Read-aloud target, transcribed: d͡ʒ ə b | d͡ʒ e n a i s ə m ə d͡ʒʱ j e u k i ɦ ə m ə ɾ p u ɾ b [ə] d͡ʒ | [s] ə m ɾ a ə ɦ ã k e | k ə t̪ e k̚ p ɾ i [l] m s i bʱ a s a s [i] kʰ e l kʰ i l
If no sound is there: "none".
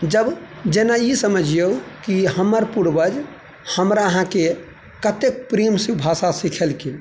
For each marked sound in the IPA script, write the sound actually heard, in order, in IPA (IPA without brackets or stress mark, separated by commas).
ə, h, none, i